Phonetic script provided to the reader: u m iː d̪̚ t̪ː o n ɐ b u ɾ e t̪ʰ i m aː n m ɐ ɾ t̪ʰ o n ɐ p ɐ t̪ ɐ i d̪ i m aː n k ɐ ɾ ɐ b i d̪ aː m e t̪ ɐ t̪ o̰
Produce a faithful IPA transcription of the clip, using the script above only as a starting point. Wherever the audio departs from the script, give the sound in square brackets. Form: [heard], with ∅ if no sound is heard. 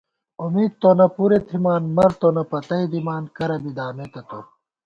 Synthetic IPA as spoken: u m iː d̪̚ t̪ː o n ɐ [p] u ɾ e t̪ʰ i m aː n m ɐ ɾ [t̪] o n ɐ p ɐ t̪ ɐ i d̪ i m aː n k ɐ ɾ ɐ b i d̪ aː m e t̪ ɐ t̪ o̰